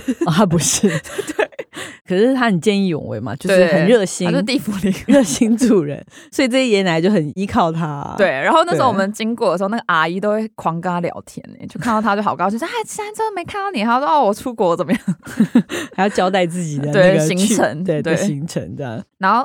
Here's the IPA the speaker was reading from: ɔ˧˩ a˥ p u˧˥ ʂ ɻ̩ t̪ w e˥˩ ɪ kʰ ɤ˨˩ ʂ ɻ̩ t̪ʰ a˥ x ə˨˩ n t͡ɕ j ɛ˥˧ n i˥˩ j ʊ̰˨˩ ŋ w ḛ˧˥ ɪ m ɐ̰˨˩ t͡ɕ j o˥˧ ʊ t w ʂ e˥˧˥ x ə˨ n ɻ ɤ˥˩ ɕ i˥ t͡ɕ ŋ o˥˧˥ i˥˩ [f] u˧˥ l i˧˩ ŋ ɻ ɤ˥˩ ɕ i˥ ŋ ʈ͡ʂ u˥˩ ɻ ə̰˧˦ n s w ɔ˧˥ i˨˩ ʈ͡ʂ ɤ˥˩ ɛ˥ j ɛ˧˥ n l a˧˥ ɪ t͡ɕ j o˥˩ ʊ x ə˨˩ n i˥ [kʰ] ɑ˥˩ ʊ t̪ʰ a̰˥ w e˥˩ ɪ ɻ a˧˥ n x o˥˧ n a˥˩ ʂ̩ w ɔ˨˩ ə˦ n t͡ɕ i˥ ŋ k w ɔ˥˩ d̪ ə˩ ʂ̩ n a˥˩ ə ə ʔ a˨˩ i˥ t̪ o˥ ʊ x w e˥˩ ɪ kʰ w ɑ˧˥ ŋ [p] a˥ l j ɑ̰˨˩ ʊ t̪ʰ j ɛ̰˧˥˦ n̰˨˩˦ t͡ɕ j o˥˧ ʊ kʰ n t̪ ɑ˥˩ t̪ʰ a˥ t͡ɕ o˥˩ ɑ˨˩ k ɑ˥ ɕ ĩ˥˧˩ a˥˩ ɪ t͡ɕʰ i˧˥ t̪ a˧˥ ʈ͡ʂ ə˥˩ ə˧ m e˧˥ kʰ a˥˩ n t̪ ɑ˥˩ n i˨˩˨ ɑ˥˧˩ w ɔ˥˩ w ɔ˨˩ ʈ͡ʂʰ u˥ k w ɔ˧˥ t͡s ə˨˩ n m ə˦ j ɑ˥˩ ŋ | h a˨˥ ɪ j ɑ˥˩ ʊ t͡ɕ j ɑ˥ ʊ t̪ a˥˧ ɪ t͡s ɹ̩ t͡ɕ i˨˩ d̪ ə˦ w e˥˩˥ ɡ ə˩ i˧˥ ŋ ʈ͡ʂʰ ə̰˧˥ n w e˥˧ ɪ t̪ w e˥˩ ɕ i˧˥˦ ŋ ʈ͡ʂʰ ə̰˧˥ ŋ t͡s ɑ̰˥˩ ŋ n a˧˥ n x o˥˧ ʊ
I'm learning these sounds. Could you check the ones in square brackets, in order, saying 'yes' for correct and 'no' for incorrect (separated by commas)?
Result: yes, yes, no